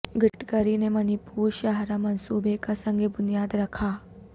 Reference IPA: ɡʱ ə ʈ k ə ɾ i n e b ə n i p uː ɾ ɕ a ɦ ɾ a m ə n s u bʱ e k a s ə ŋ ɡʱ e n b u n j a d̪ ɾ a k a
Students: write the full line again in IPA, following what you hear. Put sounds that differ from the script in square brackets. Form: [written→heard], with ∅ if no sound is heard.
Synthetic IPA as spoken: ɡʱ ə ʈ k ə ɾ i n e [b→m] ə n i p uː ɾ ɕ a ɦ ɾ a m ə n s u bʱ e k a s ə ŋ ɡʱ e [n→∅] b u n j a d̪ ɾ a [k→kʰ] a